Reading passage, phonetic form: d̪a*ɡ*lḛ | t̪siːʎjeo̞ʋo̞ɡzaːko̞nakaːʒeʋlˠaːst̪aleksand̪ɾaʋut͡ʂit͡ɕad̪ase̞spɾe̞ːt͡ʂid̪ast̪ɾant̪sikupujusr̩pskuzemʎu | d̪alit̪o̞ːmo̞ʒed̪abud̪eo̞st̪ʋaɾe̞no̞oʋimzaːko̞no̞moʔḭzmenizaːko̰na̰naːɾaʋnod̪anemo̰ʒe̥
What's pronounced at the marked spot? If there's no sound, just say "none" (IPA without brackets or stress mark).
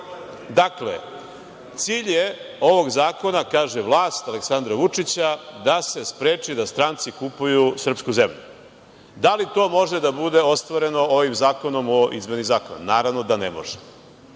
k